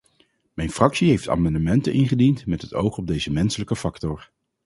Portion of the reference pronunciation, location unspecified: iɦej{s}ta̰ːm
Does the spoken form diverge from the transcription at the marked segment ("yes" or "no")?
yes